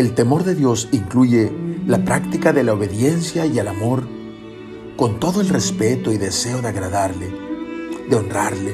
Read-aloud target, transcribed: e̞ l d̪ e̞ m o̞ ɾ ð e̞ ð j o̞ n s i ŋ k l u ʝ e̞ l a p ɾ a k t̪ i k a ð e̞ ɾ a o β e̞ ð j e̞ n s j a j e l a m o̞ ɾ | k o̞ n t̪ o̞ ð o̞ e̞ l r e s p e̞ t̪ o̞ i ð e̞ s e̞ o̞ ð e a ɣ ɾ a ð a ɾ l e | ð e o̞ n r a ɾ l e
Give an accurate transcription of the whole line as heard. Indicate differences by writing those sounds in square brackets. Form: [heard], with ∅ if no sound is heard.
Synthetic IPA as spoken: e̞ l [t̪] e̞ m o̞ ɾ ð e̞ ð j o̞ [∅] s i ŋ k l u ʝ e̞ l a p ɾ a k t̪ i k a ð e̞ [l] a o β e̞ ð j e̞ n s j a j e l a m o̞ ɾ | k o̞ n t̪ o̞ ð o̞ e̞ l r e s p e̞ t̪ o̞ i ð e̞ s e̞ o̞ ð e a ɣ ɾ a ð a ɾ l e | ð e o̞ n r a ɾ l e